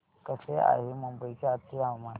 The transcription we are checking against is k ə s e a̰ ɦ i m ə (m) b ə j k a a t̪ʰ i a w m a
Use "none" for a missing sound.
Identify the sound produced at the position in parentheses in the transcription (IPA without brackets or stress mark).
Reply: m